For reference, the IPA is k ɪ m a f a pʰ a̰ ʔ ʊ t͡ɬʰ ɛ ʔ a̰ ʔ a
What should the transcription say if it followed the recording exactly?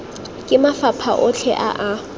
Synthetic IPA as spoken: kʼ ɪ m a f a pʰ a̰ ʔ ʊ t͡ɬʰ ɛ ʔ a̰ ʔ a